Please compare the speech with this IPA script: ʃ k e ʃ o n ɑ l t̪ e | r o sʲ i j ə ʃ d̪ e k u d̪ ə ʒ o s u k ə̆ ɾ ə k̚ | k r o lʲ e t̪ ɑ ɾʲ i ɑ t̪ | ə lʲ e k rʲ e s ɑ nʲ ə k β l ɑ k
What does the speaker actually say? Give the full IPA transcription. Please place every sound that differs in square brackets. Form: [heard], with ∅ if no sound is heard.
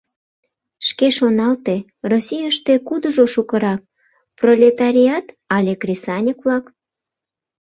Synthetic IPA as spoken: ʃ k e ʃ o n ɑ l t̪ e | r o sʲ i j ə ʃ [t̪] e k u d̪ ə ʒ o [ʃ] u k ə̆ ɾ [ɑ] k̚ | [p] r o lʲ e t̪ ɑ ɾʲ i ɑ t̪ | [ɑ] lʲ e k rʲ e s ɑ nʲ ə k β l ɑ k